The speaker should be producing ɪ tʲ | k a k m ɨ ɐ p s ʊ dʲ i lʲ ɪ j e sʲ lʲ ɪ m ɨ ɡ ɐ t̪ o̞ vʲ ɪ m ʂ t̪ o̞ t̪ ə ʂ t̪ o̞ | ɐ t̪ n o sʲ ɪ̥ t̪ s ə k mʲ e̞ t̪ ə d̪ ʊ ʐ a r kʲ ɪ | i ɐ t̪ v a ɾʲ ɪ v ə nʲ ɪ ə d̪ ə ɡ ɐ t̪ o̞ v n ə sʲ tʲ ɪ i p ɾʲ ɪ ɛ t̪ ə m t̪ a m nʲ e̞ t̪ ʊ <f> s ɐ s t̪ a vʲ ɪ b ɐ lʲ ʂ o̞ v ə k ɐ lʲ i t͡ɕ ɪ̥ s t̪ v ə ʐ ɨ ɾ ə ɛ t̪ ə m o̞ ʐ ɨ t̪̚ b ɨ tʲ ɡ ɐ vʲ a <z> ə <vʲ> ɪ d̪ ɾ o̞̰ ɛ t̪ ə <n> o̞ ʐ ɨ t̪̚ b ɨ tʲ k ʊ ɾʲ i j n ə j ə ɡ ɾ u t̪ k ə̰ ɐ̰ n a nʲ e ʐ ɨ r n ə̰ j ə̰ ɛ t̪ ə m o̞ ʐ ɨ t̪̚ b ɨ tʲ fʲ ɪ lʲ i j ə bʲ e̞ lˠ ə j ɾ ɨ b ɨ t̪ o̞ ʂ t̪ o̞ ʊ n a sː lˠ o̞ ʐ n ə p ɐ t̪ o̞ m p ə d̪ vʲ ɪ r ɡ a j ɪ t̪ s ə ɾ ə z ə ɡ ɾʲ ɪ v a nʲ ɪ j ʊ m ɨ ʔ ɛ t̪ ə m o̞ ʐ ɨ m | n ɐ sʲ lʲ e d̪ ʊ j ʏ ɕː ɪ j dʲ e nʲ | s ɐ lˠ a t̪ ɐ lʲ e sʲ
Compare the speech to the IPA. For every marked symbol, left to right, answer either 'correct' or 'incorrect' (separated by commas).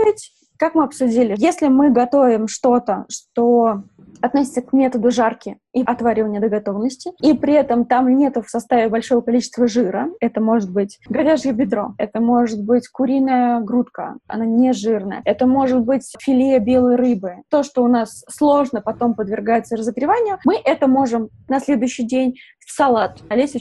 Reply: correct, incorrect, incorrect, incorrect